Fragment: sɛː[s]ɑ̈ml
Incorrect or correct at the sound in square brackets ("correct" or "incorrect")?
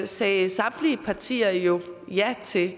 correct